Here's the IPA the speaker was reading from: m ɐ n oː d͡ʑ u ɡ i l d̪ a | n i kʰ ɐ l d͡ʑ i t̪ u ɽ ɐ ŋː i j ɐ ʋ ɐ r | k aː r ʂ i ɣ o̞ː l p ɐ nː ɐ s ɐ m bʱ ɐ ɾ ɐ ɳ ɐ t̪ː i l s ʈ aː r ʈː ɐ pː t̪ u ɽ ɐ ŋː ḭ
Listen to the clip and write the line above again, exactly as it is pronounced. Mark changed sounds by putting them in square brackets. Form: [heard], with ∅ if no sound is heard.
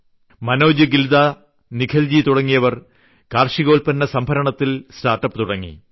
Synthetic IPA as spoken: m ɐ n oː d͡ʑ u ɡ i l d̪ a | n i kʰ ɐ l d͡ʑ i t̪ u ɽ ɐ ŋː i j ɐ ʋ ɐ r | k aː r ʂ i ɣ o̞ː l p ɐ nː ɐ s ɐ m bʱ ɐ ɾ ɐ ɳ ɐ t̪ː i l s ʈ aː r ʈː ɐ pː t̪ u ɽ ɐ ŋː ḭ